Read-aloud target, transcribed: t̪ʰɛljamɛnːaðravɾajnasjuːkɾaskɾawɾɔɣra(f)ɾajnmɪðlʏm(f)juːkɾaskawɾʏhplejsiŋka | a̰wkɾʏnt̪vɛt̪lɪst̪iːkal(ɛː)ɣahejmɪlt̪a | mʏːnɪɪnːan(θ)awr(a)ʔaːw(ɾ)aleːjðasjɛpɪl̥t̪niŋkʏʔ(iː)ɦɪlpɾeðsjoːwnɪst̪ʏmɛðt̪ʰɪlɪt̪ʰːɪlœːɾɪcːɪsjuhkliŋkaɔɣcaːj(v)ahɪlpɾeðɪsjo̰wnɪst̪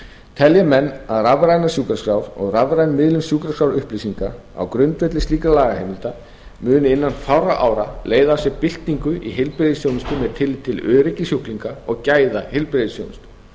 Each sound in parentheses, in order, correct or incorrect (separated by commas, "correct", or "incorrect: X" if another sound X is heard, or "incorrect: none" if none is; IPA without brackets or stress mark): incorrect: v, incorrect: s, incorrect: aː, incorrect: f, correct, correct, incorrect: i, incorrect: ð